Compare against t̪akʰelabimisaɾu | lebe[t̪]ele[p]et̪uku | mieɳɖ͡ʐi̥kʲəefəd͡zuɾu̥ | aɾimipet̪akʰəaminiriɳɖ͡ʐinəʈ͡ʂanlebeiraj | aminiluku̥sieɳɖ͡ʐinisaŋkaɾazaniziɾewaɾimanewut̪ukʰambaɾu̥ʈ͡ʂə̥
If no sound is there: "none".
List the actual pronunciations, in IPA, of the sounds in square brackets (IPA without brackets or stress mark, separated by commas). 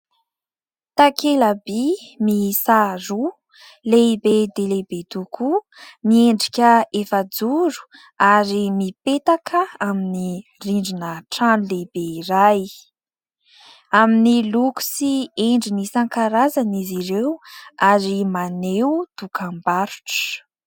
d̪, b